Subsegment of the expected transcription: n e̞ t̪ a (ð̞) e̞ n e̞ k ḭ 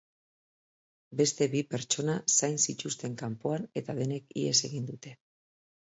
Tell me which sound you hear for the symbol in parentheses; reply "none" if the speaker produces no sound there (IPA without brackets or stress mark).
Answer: ð̞